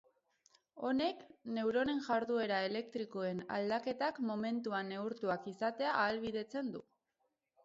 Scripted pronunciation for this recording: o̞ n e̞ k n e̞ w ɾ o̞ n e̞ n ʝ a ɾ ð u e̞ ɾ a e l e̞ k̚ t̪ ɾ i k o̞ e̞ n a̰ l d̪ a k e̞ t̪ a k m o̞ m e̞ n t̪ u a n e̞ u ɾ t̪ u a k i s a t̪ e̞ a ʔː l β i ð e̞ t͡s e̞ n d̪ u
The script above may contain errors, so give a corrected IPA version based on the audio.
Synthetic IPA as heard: o̞ n e̞ k n e̞ w ɾ o̞ n e̞ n ʝ a ɾ ð u e̞ ɾ a e l e̞ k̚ t̪ ɾ i k o̞ e̞ n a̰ l d̪ a k e̞ t̪ a k m o̞ m e̞ n t̪ u a n e̞ u ɾ t̪ u a k i s a t̪ e̞ a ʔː l β i ð e̞ t͡s e̞ n d̪ u